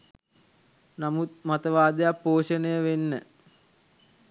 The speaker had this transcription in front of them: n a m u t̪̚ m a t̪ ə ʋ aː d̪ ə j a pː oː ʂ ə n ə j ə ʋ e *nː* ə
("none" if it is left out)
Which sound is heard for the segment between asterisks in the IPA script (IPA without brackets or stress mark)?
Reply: nː